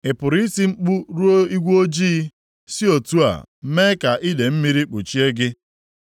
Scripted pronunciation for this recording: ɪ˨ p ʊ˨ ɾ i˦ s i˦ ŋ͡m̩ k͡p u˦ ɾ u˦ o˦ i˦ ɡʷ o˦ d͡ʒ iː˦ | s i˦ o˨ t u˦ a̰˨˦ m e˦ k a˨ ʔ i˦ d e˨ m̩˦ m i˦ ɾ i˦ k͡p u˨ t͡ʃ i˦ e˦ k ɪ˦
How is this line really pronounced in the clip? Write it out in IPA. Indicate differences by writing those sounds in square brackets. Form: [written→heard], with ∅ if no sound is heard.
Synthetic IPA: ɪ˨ p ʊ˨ ɾ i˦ s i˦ ŋ͡m̩ k͡p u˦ ɾ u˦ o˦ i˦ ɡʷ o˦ d͡ʒ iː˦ | s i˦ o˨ t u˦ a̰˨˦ m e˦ k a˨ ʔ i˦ d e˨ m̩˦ m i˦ ɾ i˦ k͡p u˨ t͡ʃ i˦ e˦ [k→ɡ] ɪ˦